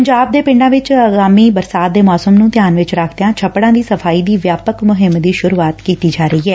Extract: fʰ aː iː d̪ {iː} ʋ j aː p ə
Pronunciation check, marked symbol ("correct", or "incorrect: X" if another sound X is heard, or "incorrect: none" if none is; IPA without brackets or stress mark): correct